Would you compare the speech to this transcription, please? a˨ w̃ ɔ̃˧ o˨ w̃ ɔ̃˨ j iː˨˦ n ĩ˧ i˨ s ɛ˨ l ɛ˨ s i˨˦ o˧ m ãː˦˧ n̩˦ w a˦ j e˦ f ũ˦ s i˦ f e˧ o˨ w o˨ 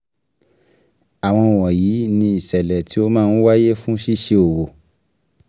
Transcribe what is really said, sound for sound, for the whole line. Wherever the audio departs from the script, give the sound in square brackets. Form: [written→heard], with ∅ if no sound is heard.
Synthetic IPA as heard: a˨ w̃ ɔ̃˧ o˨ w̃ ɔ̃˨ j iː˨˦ n ĩ˧ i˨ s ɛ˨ l ɛ˨ [s→t] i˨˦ o˧ m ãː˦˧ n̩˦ w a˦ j e˦ f ũ˦ [s→ʃ] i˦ [f→ʃ] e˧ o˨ w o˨

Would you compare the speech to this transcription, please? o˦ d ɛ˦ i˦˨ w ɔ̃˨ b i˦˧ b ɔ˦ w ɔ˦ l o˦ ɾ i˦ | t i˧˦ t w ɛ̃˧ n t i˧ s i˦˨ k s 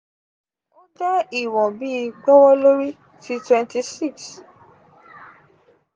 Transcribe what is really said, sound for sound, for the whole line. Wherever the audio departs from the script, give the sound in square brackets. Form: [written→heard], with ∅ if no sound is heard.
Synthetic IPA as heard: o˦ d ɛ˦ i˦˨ w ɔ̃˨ b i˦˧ [b→ɡ͡b] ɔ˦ w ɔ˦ l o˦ ɾ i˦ | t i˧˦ t w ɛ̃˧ n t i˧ s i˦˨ k s

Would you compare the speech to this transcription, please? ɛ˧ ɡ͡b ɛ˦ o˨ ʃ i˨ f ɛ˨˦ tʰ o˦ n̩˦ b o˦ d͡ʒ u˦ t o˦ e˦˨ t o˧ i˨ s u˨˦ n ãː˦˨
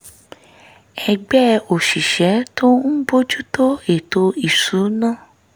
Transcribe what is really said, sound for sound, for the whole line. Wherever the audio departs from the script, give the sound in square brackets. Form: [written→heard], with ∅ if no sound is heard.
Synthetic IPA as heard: ɛ˧ ɡ͡b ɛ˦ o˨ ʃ i˨ [f→ʃ] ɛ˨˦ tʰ o˦ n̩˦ b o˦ d͡ʒ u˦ t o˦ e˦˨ t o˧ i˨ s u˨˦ n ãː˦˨

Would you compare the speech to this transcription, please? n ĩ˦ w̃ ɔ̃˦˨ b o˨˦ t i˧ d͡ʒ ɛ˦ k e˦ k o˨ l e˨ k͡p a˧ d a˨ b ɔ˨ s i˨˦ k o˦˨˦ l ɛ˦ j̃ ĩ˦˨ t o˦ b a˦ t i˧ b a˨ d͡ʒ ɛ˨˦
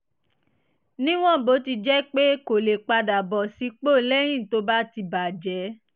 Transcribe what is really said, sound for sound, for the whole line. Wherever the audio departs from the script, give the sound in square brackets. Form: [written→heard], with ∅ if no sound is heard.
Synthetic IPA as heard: n ĩ˦ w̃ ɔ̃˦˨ b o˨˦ t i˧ d͡ʒ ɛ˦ [k→k͡p] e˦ k o˨ l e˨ k͡p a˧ d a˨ b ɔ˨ s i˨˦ [k→k͡p] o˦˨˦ l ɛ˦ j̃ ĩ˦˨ t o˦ b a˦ t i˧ b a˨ d͡ʒ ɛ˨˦

